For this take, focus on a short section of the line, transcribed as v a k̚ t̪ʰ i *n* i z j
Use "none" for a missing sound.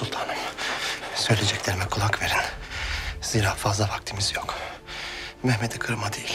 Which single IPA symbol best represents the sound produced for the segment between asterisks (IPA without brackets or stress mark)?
m